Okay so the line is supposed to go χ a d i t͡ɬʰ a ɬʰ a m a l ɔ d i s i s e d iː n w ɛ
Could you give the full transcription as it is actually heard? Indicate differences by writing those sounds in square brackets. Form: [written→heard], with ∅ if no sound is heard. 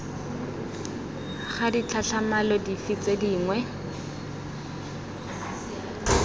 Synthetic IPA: χ a d i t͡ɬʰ a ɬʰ a m a l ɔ d i [s→f] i [s→t͡s] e d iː [n→ŋ] w ɛ